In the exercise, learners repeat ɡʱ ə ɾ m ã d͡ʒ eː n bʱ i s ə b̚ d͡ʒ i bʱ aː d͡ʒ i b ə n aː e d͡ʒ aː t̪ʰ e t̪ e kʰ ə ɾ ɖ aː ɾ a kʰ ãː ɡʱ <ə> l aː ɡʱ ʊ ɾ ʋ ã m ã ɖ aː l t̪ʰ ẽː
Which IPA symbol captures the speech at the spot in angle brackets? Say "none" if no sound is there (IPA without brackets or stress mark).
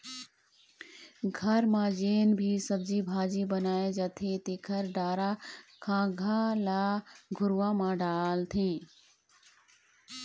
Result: a